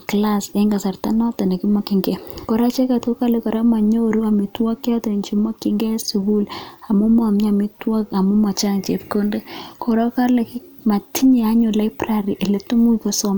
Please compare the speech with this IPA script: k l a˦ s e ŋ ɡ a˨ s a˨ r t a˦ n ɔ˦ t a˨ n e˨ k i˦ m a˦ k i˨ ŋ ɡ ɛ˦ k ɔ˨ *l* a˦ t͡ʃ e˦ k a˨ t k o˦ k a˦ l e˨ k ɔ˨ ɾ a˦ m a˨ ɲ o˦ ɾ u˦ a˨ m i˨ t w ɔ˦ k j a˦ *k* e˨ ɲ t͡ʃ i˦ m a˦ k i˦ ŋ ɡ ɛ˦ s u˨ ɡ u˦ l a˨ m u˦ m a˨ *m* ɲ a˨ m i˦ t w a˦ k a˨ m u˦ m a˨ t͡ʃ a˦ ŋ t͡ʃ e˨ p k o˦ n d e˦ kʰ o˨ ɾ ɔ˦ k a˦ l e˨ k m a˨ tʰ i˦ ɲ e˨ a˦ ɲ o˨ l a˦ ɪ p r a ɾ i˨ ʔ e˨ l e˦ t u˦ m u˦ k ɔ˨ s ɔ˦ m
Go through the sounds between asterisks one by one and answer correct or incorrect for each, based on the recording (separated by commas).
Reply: incorrect, incorrect, correct